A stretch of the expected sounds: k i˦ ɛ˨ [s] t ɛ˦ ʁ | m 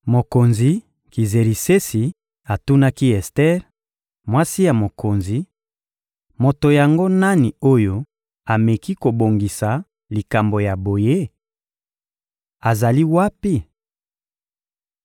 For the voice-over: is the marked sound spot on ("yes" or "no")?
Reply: yes